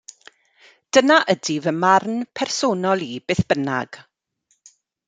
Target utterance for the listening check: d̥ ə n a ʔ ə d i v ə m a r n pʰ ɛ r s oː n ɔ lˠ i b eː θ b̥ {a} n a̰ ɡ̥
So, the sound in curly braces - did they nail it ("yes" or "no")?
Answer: no